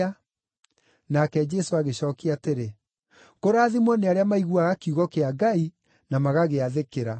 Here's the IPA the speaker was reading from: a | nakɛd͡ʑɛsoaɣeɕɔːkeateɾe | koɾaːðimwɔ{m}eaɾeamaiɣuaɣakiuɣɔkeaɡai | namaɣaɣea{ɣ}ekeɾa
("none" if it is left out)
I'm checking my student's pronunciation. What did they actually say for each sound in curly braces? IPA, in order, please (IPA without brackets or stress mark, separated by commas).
n, ð